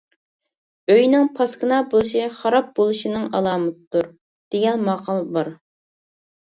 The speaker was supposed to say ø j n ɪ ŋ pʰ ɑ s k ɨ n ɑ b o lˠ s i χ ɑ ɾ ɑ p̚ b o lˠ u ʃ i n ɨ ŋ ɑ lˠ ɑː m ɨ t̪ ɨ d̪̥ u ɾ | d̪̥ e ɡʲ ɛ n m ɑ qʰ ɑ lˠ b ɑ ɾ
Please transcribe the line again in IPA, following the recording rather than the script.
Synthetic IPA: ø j n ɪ ŋ pʰ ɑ s k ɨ n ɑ b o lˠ ʃ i χ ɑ ɾ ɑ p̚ b o lˠ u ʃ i n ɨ ŋ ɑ lˠ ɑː m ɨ t̪ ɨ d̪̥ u ɾ | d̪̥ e ɡʲ ɛ n m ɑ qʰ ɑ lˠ b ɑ ɾ